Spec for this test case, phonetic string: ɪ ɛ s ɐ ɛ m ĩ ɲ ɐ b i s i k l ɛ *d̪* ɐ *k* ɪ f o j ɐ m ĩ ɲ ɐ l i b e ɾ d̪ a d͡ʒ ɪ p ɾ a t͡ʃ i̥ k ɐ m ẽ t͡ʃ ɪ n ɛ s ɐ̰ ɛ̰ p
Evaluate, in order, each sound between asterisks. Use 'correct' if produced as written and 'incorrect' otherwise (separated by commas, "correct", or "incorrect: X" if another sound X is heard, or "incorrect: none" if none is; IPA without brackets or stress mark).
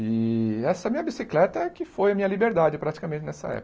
incorrect: t̪, correct